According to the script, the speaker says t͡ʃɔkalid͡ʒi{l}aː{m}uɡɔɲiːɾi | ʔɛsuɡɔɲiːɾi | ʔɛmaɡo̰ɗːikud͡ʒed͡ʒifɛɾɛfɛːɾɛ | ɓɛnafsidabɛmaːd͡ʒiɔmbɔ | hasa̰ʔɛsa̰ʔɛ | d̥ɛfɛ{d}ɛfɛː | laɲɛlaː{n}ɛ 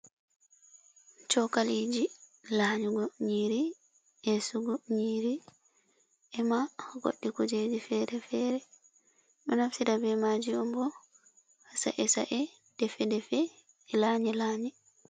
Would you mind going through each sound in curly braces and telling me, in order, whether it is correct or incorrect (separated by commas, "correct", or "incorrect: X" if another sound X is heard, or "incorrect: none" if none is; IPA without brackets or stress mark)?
correct, incorrect: ɲ, correct, incorrect: ɲ